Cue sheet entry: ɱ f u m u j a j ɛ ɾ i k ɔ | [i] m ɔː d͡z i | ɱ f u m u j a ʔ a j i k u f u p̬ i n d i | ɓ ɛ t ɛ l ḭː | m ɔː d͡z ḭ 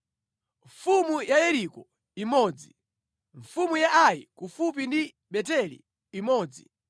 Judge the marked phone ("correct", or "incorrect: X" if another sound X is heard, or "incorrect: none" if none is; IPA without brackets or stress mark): correct